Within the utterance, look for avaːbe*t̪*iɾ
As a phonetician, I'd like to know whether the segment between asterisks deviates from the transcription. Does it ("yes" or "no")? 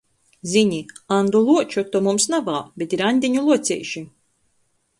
no